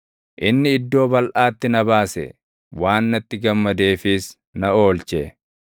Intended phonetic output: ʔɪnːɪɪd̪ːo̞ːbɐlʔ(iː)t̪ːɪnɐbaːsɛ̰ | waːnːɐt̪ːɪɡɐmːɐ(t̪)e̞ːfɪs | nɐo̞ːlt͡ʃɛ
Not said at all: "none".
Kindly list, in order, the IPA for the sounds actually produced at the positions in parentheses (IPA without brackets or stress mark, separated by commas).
aː, d̪